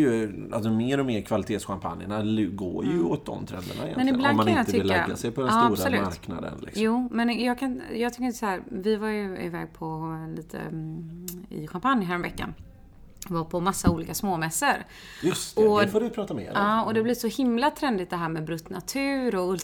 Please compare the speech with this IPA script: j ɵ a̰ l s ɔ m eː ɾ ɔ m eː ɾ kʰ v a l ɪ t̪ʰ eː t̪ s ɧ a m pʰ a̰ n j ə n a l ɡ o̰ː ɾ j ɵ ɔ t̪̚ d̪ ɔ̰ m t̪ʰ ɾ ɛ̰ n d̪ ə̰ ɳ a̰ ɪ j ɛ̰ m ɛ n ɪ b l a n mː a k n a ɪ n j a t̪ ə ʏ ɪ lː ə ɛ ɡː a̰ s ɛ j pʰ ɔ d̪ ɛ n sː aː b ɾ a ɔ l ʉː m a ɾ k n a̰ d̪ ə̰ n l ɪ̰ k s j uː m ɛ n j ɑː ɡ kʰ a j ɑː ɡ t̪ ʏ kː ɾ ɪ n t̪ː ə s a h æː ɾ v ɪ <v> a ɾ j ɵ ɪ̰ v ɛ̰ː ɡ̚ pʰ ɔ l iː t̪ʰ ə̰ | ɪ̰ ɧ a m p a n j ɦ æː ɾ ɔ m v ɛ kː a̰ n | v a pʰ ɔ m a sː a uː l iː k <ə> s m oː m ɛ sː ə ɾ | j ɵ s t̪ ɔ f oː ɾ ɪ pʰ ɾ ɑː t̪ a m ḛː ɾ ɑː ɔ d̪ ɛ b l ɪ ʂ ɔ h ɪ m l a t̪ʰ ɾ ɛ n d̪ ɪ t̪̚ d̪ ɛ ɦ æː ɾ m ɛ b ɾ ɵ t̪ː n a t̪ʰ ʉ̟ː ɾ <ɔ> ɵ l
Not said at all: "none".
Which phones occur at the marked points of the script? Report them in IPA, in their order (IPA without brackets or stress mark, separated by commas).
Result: v, a, ɔ